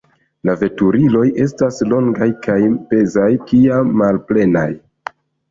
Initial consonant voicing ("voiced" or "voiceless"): voiced